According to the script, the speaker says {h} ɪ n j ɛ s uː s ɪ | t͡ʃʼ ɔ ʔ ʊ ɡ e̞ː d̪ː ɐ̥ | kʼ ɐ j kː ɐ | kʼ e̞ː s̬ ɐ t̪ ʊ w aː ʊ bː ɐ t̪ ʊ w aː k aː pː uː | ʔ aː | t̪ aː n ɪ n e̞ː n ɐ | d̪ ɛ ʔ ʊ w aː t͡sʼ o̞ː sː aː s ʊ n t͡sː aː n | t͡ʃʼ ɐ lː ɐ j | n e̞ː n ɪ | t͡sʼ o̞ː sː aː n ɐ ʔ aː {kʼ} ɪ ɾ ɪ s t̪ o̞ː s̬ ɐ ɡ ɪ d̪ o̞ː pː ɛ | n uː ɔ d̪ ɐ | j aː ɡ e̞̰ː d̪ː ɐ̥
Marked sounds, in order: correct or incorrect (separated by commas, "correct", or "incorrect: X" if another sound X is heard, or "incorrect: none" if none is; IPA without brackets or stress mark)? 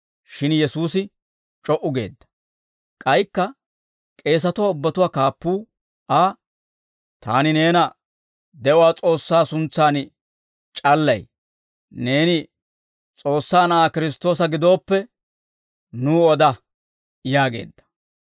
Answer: incorrect: ʃ, incorrect: k